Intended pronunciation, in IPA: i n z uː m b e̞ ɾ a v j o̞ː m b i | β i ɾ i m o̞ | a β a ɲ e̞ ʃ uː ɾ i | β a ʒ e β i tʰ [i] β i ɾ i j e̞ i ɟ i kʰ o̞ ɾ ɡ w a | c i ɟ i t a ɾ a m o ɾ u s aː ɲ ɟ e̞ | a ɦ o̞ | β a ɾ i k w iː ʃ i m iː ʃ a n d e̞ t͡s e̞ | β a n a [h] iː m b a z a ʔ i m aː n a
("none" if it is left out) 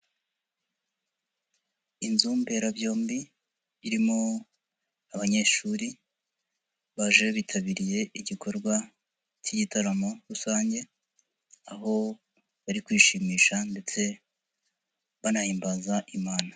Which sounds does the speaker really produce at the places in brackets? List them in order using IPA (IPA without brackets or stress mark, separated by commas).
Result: a, h